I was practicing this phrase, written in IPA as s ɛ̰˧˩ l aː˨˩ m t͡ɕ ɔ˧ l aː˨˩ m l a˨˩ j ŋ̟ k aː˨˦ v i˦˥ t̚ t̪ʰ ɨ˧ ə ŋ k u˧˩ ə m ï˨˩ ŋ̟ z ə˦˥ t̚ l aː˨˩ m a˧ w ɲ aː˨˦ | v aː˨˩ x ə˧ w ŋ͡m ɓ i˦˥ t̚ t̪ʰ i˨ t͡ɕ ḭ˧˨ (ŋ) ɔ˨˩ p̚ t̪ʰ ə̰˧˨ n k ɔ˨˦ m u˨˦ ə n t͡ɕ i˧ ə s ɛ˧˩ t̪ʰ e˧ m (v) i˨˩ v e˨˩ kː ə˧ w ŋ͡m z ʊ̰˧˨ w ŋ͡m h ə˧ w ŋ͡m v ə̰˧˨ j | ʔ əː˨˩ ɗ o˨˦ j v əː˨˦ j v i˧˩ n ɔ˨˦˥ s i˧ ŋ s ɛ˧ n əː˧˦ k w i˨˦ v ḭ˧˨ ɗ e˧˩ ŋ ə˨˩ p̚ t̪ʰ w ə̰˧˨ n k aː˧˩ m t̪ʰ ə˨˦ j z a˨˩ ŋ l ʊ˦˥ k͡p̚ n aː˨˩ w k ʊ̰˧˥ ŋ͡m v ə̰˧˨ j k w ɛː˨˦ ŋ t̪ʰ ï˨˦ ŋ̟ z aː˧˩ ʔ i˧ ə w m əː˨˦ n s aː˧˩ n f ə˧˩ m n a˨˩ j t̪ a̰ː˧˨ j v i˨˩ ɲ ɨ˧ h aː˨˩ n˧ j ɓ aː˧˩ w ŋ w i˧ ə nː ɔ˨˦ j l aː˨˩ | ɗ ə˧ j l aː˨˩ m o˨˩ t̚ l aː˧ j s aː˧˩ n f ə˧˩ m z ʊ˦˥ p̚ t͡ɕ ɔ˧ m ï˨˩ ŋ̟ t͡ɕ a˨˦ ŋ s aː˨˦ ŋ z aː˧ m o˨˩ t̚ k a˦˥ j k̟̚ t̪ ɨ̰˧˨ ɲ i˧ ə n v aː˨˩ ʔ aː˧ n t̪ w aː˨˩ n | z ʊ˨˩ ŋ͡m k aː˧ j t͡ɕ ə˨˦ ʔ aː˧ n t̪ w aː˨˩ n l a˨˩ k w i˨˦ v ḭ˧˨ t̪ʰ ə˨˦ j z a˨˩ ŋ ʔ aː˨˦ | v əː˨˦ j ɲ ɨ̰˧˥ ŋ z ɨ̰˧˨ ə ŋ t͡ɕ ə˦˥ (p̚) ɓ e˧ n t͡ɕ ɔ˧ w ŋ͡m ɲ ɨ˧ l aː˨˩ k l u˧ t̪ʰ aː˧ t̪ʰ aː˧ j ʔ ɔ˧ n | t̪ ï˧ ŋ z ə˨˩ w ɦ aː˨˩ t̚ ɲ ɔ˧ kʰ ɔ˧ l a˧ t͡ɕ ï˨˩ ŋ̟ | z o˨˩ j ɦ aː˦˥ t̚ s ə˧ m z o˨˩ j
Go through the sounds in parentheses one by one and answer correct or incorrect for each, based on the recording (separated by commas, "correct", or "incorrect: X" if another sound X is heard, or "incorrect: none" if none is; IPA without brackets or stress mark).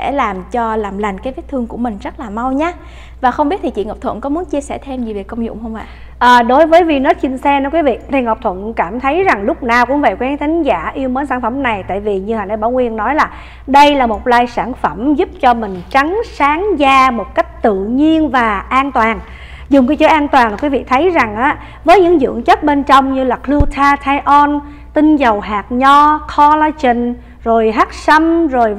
correct, incorrect: z, incorrect: t̚